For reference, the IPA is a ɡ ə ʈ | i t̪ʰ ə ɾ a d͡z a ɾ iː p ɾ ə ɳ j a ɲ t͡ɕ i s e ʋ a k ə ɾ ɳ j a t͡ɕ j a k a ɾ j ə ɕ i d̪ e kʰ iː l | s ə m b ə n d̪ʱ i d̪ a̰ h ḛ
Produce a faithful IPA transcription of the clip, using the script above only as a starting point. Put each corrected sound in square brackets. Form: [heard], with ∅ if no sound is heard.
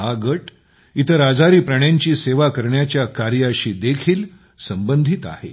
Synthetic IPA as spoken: a ɡ ə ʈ | i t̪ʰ ə ɾ a d͡z a ɾ iː p ɾ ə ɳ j a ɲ t͡ɕ [iː] s e ʋ a k ə ɾ ɳ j a t͡ɕ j a k a ɾ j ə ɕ [iː] d̪ e kʰ iː l | s ə m b ə n d̪ʱ i [t̪] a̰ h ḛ